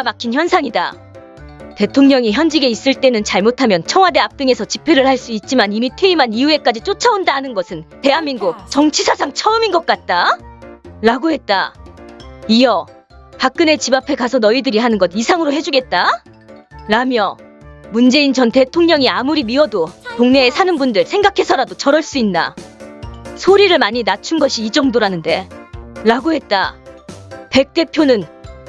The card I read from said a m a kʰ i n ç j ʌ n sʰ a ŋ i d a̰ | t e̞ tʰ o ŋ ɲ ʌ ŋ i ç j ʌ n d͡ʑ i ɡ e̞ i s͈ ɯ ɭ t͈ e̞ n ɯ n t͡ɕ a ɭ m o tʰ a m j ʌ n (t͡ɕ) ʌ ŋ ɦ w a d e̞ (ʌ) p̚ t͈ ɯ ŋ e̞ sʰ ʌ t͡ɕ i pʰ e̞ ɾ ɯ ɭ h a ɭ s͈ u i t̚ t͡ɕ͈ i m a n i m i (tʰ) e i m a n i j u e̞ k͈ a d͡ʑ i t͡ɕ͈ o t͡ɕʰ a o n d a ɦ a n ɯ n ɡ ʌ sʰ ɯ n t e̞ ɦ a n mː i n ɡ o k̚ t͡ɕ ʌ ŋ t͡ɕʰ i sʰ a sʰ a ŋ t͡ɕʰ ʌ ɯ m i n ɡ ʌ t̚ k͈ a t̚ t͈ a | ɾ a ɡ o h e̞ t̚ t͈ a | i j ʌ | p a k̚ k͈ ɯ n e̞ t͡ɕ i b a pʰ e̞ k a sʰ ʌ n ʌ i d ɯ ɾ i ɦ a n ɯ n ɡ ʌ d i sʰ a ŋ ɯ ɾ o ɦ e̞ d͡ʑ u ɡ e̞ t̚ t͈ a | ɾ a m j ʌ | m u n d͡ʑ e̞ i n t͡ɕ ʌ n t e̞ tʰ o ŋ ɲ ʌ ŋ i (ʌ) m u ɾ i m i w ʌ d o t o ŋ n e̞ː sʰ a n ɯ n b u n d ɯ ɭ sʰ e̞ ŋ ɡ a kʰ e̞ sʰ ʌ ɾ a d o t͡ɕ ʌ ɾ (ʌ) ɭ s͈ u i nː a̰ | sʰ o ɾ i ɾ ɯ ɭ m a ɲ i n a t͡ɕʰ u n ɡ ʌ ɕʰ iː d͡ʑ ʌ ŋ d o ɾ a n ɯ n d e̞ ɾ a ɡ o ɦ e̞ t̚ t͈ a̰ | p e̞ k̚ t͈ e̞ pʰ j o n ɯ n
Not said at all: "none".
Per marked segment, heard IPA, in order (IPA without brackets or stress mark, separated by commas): t͡ɕʰ, a, tʰ, a, ʌ